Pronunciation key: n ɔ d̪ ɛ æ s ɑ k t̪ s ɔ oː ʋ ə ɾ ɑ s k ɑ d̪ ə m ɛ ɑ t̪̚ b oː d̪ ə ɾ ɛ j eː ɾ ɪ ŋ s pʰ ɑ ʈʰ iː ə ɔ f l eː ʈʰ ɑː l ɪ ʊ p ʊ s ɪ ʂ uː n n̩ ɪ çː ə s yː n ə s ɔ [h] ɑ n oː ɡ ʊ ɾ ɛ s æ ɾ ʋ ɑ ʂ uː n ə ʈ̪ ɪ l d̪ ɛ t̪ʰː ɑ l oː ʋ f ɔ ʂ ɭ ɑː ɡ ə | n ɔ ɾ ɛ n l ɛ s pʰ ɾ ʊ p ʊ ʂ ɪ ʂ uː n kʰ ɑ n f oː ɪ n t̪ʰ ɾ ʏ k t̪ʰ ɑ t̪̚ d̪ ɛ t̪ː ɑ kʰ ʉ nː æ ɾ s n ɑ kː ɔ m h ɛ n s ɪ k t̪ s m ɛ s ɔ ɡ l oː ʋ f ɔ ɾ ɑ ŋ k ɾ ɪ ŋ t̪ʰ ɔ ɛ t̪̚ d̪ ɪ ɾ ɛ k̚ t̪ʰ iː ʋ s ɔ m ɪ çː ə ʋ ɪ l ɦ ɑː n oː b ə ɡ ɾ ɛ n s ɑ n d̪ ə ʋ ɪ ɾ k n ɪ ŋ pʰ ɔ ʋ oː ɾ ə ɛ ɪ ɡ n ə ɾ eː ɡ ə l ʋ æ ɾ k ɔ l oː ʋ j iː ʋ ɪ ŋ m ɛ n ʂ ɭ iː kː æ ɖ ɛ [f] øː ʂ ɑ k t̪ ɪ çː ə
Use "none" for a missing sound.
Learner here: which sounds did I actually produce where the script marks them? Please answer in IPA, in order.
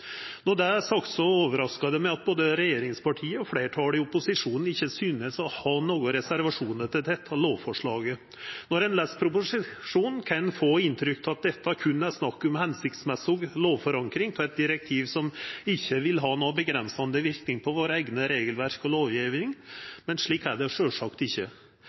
h, ʂ

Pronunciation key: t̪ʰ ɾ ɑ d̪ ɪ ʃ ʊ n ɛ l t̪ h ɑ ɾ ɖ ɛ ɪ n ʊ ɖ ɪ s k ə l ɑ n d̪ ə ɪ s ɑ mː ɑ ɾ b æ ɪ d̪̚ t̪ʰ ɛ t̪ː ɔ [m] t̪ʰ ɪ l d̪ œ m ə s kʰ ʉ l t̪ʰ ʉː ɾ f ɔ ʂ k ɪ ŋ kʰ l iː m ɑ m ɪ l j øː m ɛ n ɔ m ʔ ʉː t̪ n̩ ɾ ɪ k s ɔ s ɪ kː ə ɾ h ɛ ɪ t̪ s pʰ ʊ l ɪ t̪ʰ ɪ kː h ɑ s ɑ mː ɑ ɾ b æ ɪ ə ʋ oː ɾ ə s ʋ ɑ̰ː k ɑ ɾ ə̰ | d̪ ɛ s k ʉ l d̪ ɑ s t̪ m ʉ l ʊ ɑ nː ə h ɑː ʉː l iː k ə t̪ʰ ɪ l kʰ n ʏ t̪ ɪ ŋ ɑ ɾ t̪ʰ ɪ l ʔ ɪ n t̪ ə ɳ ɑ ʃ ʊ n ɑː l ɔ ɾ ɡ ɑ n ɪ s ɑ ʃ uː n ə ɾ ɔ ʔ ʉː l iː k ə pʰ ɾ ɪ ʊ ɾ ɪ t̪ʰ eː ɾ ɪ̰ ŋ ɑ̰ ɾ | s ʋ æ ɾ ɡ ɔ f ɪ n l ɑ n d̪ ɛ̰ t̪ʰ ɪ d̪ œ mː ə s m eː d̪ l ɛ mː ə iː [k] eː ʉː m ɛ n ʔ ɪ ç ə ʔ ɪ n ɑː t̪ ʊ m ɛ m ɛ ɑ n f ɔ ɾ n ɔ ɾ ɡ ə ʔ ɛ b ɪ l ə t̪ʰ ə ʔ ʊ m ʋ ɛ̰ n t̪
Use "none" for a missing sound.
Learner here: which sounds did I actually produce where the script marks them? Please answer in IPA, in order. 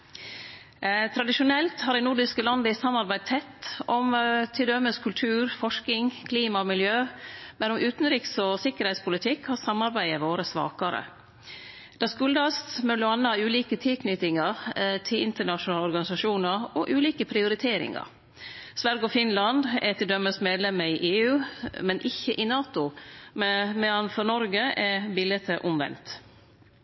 m, ʔ

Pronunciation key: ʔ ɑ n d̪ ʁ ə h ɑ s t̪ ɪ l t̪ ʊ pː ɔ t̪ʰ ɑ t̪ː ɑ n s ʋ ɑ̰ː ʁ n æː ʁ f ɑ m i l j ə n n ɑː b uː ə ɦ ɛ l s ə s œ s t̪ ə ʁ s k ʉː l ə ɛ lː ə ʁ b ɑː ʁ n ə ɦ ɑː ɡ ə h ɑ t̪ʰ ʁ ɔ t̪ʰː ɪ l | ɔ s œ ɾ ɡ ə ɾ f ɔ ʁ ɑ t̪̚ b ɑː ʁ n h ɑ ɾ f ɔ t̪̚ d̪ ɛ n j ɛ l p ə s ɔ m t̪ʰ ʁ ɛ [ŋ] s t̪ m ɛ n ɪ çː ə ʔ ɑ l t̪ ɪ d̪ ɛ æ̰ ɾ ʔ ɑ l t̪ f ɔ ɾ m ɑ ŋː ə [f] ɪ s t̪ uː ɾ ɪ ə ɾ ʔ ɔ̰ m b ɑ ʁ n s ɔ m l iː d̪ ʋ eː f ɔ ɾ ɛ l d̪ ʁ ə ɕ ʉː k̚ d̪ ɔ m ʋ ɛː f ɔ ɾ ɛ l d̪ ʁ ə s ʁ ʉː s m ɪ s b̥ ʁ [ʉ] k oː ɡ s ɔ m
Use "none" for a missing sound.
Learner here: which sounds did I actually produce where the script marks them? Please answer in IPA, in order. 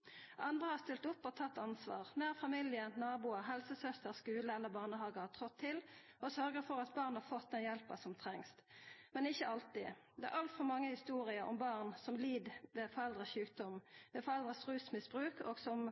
ŋ, h, ʉː

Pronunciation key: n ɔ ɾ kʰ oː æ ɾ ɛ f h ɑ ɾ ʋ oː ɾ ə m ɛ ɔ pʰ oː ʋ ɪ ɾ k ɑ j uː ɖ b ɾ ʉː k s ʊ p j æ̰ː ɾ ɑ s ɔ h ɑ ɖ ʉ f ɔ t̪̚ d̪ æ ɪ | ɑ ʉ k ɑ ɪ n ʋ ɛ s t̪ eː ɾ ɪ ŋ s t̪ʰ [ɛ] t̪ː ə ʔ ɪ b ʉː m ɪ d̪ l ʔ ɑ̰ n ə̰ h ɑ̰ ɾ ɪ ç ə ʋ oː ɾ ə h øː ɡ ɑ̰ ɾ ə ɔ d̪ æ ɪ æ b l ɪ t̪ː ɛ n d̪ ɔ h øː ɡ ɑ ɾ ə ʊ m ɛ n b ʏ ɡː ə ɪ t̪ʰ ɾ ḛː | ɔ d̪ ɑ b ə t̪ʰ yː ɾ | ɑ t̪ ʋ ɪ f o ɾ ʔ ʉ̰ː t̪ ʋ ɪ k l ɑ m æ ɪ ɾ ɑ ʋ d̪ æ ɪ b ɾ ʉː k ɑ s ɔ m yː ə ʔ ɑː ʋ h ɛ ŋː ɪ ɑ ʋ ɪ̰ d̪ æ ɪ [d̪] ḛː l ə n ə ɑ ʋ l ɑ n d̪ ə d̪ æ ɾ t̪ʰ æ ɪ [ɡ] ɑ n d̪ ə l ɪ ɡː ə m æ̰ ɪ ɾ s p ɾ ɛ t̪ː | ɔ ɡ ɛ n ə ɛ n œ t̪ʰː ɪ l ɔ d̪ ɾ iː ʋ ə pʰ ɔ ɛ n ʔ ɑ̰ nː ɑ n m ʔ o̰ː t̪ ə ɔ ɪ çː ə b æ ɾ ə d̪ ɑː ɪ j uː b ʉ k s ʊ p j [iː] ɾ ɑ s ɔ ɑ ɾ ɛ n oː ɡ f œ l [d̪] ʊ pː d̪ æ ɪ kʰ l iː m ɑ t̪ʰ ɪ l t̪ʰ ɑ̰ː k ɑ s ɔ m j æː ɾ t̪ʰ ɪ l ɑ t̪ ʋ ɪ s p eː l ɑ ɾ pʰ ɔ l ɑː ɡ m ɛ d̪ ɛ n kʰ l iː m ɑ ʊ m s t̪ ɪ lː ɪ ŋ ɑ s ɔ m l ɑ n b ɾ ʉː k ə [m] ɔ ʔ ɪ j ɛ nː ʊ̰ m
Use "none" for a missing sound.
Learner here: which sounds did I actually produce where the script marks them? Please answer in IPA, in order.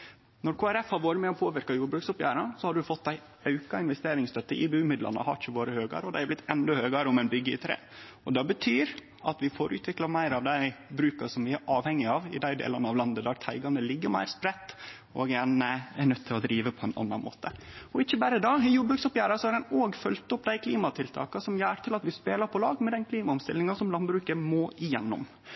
œ, d̪, ɡ, æː, t̪, m

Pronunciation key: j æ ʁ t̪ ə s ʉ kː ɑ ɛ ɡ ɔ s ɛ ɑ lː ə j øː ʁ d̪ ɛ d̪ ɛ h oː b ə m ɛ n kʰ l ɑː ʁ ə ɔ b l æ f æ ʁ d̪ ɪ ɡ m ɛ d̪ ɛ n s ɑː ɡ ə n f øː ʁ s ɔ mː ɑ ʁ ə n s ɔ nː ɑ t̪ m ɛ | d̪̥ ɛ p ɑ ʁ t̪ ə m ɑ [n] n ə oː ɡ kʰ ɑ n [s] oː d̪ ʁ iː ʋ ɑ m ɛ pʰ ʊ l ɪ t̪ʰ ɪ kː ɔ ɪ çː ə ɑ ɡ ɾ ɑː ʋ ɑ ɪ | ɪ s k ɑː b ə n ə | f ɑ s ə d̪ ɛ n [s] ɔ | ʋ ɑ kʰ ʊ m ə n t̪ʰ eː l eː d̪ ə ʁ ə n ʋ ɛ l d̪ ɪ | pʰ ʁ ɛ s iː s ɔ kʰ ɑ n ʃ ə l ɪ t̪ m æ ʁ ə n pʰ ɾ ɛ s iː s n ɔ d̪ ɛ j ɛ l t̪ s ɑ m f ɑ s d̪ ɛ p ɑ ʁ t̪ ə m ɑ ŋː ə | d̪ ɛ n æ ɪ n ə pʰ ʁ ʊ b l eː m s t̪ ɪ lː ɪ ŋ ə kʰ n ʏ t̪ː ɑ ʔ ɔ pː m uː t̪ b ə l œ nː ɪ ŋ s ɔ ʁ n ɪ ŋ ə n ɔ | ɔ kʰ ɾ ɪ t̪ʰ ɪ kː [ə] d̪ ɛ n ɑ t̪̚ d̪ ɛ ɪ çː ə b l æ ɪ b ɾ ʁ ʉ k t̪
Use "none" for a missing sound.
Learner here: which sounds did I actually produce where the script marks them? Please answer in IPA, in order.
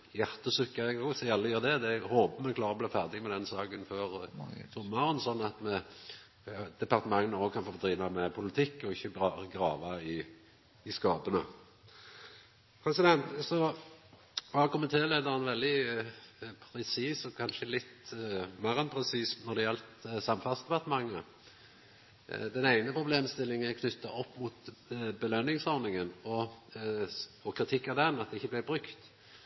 ŋ, f, s, ɑ

